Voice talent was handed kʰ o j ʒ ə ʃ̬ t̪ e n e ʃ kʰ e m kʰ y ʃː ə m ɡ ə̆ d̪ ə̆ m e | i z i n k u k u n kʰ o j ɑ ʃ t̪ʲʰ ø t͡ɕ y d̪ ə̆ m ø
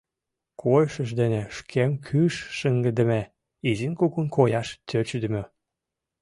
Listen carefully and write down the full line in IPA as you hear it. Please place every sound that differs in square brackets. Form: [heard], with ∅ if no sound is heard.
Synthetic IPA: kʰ o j [ʃ] ə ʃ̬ [d̪] e n e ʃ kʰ e m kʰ y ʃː ə [ŋ] ɡ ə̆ d̪ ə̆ m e | i z i n k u k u n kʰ o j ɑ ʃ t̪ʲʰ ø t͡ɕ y d̪ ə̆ m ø